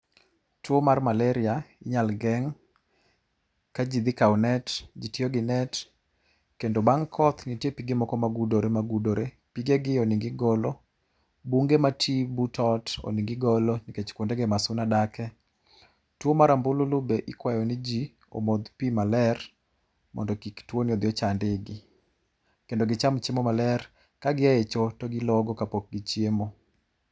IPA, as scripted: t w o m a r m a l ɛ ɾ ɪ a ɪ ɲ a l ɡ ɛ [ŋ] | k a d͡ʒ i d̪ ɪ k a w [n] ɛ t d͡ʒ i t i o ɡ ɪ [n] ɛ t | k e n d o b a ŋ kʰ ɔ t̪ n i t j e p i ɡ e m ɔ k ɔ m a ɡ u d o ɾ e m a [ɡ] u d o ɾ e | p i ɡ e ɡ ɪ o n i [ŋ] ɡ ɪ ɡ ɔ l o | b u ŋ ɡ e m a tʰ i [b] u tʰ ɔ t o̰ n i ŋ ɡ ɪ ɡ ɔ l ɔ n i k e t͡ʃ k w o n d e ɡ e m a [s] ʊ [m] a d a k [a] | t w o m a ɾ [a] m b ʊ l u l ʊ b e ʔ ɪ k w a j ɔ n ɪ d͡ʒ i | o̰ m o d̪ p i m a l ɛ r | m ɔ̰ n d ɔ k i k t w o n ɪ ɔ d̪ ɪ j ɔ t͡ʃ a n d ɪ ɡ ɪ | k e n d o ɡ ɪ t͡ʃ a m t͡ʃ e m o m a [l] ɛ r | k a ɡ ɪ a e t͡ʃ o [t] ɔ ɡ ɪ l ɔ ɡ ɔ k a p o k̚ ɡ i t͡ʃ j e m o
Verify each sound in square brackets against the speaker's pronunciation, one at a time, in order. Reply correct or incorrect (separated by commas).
correct, correct, correct, correct, correct, correct, correct, incorrect, incorrect, correct, correct, correct